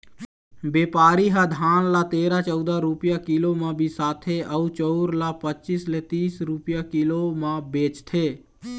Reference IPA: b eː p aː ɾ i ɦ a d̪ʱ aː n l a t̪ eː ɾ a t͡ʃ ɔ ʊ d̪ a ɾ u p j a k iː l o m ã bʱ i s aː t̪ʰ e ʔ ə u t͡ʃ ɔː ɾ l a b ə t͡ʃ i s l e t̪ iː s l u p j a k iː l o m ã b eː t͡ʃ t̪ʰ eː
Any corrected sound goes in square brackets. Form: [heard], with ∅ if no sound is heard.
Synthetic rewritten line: b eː p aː ɾ i ɦ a d̪ʱ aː n l a t̪ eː ɾ a t͡ʃ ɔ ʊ d̪ a ɾ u p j a k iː l o m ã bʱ i s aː t̪ʰ e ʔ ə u t͡ʃ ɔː ɾ l a [p] ə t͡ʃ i s l e t̪ iː s [ɾ] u p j a k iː l o m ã b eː t͡ʃ t̪ʰ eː

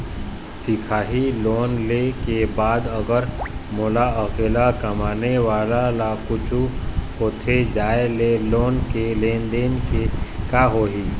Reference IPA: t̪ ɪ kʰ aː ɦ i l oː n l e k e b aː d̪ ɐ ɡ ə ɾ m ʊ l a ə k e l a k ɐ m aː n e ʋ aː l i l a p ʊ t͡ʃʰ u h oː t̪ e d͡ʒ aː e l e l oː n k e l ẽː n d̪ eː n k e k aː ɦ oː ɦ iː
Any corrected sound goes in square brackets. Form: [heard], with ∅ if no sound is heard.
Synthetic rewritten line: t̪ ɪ kʰ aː ɦ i l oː n l e k e b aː d̪ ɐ ɡ ə ɾ m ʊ l a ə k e l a k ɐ m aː n e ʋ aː l [a] l a [k] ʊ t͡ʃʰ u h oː [t̪ʰ] e d͡ʒ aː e l e l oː n k e l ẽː n d̪ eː n k e k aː ɦ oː ɦ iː

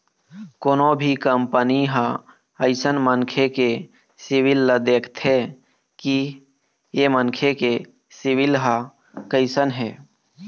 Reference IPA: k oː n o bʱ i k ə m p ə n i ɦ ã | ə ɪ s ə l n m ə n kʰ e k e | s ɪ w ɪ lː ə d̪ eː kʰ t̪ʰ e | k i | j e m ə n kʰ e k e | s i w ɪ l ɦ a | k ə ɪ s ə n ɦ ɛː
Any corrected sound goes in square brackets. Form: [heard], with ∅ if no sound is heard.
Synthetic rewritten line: k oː n o bʱ i k ə m p ə n i ɦ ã | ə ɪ s ə [∅] n m ə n kʰ e k e | s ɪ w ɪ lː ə d̪ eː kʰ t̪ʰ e | k i | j e m ə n kʰ e k e | s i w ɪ l ɦ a | k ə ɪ s ə n ɦ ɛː

